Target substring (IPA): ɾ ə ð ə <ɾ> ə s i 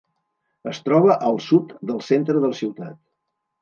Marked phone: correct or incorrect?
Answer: incorrect